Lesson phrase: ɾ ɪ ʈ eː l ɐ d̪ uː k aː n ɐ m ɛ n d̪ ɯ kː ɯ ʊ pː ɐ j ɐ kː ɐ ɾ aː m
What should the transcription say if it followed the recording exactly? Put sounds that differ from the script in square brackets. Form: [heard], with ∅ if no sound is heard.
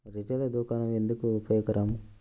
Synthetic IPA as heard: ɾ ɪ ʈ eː l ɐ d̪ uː k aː n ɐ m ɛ n d̪ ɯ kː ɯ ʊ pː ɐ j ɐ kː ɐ ɾ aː m